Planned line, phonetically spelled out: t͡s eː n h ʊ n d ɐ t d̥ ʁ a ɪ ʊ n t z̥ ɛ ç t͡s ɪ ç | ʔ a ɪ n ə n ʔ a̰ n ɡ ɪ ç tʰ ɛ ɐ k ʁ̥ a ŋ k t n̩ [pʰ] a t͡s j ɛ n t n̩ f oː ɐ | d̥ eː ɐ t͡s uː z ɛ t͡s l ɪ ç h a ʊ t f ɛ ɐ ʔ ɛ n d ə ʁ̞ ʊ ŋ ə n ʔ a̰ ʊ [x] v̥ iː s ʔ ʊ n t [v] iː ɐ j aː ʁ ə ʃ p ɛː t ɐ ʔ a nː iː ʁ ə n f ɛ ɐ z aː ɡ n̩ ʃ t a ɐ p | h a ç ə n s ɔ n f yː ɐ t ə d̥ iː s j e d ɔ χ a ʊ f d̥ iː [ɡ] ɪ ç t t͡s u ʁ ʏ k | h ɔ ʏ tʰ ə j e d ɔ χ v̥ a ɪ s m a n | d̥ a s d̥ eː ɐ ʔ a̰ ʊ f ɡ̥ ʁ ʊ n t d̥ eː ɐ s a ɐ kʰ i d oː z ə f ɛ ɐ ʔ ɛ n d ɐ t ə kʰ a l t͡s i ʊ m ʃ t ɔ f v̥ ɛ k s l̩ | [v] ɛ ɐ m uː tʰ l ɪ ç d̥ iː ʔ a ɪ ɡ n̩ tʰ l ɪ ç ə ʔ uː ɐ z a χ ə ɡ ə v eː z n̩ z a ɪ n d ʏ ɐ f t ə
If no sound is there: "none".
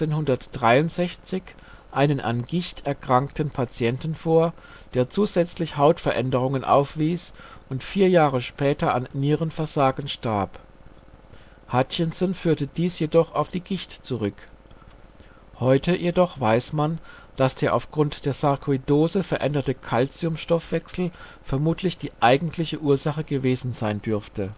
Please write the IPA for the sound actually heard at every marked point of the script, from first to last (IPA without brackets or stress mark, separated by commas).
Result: pʰ, f, f, ɡ, f